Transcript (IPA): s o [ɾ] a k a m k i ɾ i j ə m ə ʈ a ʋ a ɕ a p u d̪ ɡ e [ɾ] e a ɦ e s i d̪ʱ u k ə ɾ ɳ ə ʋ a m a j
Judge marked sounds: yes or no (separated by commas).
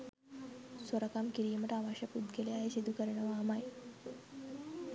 yes, no